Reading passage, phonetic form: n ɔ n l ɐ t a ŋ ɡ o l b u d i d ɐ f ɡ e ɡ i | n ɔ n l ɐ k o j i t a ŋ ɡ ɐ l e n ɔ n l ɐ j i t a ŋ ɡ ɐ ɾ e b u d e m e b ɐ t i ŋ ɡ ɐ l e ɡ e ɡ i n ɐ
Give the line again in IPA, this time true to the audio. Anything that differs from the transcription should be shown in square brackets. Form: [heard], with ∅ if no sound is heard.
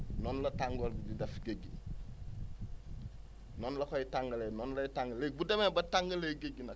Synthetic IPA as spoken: n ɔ n l ɐ t a ŋ ɡ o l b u d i d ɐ f ɡ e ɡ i | n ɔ n l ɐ k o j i t a ŋ ɡ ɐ l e n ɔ n l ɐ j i t a ŋ ɡ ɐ [l] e b u d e m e b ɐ t [a] ŋ ɡ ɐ l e ɡ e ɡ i n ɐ